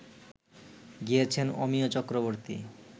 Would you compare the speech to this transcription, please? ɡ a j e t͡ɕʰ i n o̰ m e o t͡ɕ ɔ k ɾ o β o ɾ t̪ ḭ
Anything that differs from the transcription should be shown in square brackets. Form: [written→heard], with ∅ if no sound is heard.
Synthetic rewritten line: ɡ [a→i] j e t͡ɕʰ [i→e] n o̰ m [e→i] o t͡ɕ ɔ k ɾ o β o ɾ t̪ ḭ

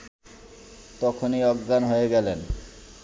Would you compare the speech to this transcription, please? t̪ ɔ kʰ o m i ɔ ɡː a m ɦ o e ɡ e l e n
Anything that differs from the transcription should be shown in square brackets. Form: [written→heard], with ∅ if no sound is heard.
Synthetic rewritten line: t̪ ɔ kʰ o [m→n] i ɔ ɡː a [m→n] ɦ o e ɡ [e→ɛ] l e n

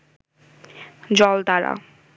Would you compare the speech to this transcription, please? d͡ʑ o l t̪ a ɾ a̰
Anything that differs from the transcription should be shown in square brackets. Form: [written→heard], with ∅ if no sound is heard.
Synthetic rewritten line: d͡ʑ [o→ɔ] l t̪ a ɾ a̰

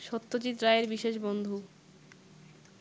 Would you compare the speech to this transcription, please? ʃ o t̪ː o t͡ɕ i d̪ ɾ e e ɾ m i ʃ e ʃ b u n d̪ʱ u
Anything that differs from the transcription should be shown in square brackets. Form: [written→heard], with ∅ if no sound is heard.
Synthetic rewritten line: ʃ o t̪ː o t͡ɕ i [d̪→t̪] ɾ [e→a] e ɾ [m→b] i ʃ e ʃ b [u→o] n d̪ʱ u

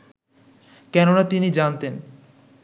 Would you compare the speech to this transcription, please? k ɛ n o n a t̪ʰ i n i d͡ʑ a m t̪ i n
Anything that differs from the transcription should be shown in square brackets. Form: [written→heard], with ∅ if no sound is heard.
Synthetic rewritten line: k ɛ n o n a [t̪ʰ→t̪] i n i d͡ʑ a [m→n] t̪ [i→e] n

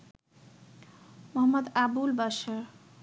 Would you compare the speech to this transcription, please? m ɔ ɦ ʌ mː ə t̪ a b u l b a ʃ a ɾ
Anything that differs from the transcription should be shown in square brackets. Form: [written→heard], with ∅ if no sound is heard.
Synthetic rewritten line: m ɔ ɦ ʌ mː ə [t̪→d̪] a b u l b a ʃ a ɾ

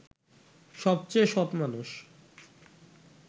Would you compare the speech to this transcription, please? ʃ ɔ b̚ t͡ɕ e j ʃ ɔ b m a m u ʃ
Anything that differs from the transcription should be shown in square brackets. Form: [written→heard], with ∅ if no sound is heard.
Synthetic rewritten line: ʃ ɔ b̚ t͡ɕ e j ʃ ɔ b m a [m→n] u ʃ

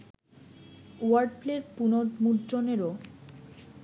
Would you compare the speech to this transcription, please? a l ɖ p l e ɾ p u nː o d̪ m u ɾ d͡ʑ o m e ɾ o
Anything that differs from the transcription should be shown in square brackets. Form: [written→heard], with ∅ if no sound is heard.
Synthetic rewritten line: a [l→ɾ] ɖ p l e ɾ p u [nː→n] o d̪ m u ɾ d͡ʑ o [m→n] e ɾ o

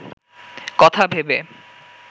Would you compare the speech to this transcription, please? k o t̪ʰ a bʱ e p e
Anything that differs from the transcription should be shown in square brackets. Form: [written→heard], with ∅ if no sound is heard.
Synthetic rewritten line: k [o→ɔ] t̪ʰ a bʱ e [p→b] e

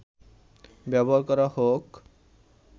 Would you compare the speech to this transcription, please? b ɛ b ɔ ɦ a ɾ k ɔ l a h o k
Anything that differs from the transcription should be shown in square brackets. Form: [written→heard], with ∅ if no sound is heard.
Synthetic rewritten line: b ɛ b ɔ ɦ a ɾ k ɔ [l→ɾ] a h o k

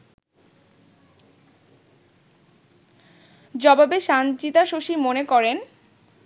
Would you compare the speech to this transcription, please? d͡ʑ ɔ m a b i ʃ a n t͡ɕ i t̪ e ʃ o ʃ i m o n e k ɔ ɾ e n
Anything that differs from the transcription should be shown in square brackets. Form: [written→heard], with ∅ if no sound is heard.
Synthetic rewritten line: d͡ʑ ɔ [m→b] a b [i→e] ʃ a n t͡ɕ i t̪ [e→a] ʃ o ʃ i m o n e k ɔ ɾ e n

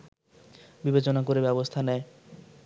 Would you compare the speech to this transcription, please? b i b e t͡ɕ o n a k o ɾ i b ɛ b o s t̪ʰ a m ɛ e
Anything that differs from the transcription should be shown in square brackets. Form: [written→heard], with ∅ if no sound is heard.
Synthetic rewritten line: b i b e t͡ɕ o n a k o ɾ [i→e] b ɛ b o s t̪ʰ a [m→n] ɛ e

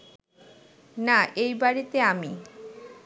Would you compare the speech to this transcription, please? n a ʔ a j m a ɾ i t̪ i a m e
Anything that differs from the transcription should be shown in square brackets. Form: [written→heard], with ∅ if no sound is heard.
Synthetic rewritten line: n a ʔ [a→e] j [m→b] a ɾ i t̪ [i→e] a m [e→i]

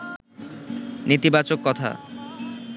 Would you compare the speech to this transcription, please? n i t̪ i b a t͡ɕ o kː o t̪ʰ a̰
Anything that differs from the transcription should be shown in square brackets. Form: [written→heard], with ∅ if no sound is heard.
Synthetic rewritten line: n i t̪ i b a t͡ɕ o kː [o→ɔ] t̪ʰ a̰

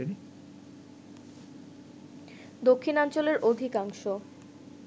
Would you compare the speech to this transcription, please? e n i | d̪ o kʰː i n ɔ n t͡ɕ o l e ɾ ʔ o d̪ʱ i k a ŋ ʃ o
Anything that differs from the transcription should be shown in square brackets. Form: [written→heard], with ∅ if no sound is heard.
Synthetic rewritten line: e n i | d̪ o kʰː i n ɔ n t͡ɕ o l e ɾ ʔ o d̪ʱ i k a ŋ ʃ o

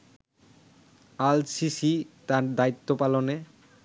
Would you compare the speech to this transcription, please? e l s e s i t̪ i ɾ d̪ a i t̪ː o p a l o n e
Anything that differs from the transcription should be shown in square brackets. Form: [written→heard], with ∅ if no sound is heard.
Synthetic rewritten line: [e→a] l s [e→i] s i t̪ [i→a] ɾ d̪ a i t̪ː o p a l o n e

